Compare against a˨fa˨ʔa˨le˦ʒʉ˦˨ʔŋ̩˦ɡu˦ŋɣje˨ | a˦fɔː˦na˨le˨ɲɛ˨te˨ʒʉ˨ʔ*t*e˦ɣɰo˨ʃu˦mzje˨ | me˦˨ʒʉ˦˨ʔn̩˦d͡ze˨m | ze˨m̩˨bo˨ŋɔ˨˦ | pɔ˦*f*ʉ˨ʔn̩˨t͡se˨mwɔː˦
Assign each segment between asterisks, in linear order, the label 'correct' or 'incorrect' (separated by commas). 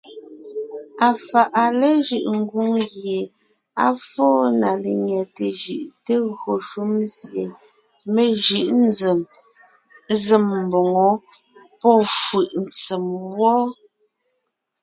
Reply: correct, correct